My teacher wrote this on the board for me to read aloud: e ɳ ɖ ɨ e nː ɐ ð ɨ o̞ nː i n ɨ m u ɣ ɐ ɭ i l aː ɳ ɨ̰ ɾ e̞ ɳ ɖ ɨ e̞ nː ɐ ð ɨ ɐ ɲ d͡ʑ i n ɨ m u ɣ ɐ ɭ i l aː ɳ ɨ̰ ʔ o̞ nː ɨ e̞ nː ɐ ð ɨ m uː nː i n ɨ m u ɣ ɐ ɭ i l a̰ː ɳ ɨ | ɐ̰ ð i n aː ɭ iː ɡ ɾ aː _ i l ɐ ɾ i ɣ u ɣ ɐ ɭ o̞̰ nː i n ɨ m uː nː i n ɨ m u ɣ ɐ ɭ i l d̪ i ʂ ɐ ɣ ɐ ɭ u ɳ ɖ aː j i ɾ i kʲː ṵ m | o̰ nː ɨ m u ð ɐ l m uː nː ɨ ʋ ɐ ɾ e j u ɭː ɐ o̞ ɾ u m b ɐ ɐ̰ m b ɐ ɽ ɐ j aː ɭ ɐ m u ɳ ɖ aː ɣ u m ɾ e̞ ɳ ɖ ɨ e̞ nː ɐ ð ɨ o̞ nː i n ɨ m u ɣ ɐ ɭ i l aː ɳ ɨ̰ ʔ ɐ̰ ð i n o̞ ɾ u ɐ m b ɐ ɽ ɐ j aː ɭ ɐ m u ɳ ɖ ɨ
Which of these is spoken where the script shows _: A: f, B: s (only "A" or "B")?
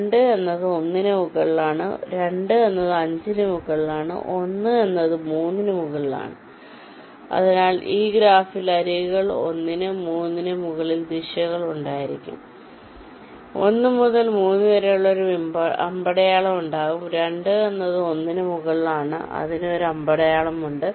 A